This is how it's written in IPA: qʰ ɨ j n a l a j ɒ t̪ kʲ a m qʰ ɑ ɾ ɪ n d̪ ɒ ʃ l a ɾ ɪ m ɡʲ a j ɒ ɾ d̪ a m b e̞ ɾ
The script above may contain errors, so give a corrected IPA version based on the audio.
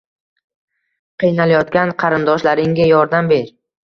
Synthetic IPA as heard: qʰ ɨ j n a l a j ɒ t̪ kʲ a n qʰ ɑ ɾ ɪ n d̪ ɒ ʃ l a ɾ ɪ ŋ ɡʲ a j ɒ ɾ d̪ a m b e̞ ɾ